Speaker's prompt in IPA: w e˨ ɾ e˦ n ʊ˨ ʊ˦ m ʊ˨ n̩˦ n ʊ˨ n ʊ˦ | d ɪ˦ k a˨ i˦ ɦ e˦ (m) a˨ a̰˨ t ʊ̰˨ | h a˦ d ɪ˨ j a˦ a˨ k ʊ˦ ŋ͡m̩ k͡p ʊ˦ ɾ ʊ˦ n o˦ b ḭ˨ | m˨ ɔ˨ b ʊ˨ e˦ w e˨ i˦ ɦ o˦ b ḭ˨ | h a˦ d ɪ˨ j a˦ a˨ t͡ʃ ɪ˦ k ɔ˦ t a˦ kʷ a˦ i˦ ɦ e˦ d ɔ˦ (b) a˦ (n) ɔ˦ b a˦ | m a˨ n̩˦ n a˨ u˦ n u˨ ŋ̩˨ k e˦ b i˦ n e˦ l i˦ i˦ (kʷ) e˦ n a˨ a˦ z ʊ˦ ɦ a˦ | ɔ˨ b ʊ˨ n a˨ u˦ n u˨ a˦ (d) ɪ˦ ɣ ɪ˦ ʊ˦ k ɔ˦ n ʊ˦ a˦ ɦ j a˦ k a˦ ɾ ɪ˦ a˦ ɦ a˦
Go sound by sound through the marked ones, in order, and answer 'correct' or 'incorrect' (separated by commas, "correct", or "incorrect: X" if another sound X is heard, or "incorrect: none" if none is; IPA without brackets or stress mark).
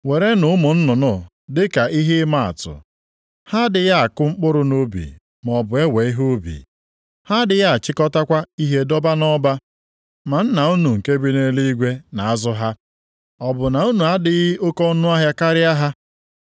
correct, correct, correct, incorrect: ɡʷ, correct